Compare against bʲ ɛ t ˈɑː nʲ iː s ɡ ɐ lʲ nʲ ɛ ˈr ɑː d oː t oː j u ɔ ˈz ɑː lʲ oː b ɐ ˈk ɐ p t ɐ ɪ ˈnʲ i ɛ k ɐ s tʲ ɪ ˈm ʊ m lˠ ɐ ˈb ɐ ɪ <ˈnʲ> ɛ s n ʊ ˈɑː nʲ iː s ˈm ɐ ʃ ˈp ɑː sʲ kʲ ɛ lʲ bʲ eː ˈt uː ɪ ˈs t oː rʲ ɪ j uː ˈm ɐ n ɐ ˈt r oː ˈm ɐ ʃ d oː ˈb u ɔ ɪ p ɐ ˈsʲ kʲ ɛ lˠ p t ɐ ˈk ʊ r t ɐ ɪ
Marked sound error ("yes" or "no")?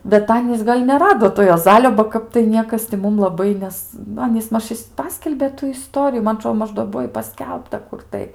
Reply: no